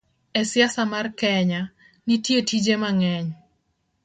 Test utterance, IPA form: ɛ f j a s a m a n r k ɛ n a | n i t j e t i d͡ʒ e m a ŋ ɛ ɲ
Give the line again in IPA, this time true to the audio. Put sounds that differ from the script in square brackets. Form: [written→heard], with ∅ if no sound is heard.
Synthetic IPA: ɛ [f→s] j a s a m a [n→∅] r k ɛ [n→ɲ] a | n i t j e t i d͡ʒ e m a ŋ ɛ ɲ